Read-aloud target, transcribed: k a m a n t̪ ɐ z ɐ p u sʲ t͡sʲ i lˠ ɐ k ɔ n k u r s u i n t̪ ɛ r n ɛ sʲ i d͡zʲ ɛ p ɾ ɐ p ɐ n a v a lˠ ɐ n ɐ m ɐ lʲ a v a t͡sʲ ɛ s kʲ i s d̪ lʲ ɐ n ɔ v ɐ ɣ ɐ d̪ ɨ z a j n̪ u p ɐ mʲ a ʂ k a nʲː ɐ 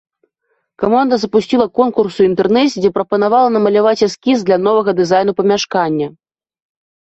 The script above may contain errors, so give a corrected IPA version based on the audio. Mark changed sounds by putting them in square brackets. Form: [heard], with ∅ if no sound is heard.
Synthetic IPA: k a m a n [d̪] ɐ z ɐ p u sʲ t͡sʲ i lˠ ɐ k ɔ n k u r s u i n t̪ ɛ r n ɛ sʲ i d͡zʲ ɛ p ɾ ɐ p ɐ n a v a lˠ ɐ n ɐ m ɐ lʲ a v a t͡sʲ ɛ s kʲ i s d̪ lʲ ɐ n ɔ v ɐ ɣ ɐ d̪ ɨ z a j n̪ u p ɐ mʲ a ʂ k a nʲː ɐ